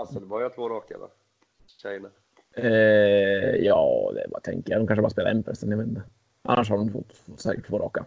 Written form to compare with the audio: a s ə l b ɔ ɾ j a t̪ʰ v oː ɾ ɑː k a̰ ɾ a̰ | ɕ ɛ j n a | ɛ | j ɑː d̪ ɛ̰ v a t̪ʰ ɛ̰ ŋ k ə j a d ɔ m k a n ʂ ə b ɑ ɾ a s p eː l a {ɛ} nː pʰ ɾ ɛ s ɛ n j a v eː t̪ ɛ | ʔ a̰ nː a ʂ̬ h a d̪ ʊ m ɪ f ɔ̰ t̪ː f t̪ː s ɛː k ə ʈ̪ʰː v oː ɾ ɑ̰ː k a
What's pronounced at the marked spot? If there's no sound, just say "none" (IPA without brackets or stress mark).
ɛ